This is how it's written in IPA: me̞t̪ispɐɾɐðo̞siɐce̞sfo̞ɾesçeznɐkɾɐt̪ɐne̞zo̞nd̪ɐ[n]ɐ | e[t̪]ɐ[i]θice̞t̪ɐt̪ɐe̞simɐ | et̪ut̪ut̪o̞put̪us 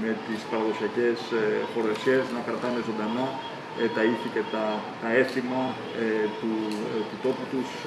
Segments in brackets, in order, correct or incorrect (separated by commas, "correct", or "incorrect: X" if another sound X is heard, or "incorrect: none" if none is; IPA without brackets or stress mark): correct, correct, correct